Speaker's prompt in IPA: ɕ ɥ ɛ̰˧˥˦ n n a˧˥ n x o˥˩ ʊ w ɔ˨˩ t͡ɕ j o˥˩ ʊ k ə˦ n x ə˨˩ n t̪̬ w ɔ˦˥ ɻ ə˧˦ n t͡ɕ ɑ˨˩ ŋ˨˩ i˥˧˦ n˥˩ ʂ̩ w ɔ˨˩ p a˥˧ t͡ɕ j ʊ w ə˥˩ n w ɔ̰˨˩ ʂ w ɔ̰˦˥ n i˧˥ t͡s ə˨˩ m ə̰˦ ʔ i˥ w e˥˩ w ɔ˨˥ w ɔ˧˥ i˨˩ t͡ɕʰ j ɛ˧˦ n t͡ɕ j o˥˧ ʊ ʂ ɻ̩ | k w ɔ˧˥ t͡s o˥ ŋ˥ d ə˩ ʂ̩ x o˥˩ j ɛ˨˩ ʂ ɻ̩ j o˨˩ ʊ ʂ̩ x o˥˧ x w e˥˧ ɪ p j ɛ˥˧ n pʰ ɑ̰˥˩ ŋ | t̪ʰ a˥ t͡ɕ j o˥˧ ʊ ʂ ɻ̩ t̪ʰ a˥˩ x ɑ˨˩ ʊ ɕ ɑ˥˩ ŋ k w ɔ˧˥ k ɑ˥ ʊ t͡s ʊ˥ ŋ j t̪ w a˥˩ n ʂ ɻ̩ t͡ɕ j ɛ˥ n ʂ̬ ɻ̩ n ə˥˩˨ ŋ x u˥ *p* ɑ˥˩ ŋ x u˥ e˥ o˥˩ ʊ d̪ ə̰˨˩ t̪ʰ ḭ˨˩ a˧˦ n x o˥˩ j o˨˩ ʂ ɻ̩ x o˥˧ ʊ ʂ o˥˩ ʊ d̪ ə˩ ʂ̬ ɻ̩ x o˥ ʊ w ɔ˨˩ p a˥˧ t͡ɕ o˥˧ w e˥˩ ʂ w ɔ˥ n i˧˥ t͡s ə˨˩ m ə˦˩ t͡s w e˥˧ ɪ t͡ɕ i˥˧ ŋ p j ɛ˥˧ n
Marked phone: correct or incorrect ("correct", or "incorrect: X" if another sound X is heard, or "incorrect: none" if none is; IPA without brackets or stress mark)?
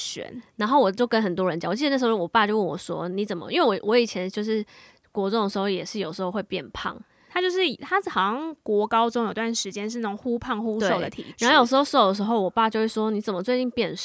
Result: incorrect: pʰ